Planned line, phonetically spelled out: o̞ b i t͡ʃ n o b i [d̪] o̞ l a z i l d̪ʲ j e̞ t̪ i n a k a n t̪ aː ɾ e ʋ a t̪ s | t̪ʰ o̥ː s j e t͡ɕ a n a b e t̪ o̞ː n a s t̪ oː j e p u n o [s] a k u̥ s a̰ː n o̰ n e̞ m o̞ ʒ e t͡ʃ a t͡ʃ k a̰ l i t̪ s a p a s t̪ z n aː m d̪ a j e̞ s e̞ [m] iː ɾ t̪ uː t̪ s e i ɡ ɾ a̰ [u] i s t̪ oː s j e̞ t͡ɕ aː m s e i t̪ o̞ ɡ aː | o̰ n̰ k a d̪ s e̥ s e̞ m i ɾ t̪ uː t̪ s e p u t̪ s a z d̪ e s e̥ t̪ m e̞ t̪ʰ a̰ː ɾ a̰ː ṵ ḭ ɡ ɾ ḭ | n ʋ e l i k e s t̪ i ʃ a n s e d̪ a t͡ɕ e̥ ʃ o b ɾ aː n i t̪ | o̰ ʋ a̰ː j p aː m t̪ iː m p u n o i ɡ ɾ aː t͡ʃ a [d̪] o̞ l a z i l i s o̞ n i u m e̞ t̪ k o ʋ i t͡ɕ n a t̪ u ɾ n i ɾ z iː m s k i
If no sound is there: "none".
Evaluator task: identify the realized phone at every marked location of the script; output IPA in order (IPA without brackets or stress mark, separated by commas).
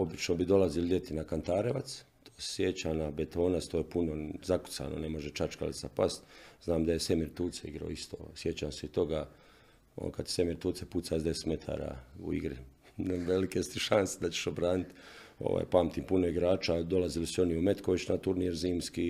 d̪, z, m, o, d̪